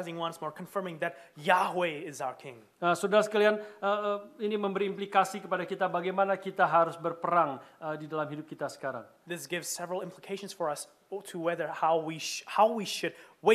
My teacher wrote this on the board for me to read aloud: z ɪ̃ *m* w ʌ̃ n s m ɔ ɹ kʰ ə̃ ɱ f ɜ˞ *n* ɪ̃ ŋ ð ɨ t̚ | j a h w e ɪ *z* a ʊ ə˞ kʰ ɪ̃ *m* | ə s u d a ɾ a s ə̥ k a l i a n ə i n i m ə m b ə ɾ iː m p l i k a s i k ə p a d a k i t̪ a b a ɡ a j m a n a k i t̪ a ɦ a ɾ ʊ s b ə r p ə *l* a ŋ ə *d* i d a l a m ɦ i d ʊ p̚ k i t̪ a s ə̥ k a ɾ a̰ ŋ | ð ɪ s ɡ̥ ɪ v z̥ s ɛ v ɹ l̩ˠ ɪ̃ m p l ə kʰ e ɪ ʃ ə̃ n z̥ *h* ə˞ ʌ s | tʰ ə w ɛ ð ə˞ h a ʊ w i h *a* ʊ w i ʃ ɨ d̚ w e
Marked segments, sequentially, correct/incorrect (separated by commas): incorrect, incorrect, correct, incorrect, incorrect, correct, incorrect, correct